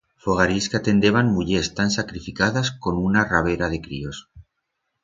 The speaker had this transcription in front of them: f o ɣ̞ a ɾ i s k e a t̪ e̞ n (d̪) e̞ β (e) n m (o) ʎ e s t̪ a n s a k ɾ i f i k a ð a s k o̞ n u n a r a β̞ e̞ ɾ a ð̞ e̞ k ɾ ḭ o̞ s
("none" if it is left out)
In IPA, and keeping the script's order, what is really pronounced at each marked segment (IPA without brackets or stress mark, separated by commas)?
d̪, a, u